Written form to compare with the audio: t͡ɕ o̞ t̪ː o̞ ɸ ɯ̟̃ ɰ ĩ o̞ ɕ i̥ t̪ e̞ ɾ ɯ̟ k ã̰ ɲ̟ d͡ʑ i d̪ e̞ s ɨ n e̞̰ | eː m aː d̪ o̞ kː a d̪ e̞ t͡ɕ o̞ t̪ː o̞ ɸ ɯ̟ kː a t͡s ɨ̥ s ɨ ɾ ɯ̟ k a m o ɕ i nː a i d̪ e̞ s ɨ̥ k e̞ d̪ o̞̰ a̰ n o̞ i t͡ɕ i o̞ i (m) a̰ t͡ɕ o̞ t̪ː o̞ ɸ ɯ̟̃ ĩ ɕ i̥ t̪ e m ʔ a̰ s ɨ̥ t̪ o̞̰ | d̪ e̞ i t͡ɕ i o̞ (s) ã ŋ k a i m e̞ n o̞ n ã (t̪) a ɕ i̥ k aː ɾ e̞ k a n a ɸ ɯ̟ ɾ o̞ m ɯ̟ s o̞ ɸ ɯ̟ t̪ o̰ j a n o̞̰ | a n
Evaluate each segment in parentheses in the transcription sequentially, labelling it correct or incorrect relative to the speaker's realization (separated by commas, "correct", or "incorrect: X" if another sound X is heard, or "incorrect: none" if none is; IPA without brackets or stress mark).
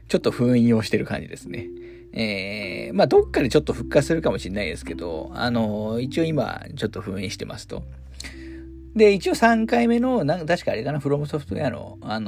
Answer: correct, correct, correct